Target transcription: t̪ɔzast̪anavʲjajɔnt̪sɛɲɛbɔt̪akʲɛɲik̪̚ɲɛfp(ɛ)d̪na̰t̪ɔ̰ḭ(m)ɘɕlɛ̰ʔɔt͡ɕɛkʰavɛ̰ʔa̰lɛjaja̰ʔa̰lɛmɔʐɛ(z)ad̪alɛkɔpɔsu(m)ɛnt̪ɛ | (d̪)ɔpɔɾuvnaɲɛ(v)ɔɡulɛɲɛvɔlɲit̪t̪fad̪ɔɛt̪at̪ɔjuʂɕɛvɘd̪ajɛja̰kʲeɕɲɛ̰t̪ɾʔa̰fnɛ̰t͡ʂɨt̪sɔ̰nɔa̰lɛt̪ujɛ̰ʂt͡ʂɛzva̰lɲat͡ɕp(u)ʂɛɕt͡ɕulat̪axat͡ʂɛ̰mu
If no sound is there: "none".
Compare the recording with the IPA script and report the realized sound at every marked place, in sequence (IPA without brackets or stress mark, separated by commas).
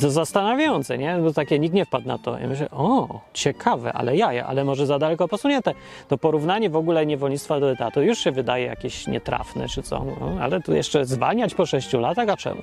a, m, z, ɲ, t̪, v, ɔ